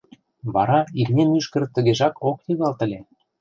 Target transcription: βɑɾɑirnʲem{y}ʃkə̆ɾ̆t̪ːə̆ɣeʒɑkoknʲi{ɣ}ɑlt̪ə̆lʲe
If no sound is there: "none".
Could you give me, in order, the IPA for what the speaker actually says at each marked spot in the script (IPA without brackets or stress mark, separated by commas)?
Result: y, ɣ